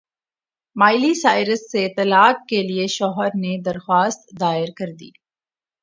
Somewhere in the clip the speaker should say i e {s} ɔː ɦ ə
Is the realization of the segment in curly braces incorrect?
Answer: yes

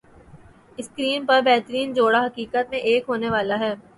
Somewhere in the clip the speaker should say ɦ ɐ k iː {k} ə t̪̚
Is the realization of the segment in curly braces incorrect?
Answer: no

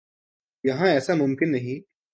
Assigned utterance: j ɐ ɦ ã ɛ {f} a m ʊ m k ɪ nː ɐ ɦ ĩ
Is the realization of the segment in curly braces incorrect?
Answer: yes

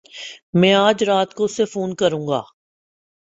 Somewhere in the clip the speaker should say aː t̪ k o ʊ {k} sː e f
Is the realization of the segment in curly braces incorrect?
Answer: yes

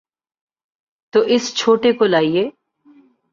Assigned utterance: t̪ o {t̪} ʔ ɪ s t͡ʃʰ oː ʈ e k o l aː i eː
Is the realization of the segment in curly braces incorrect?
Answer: yes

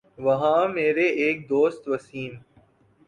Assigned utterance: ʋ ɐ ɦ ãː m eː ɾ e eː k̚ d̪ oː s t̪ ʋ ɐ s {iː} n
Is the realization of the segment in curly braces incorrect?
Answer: no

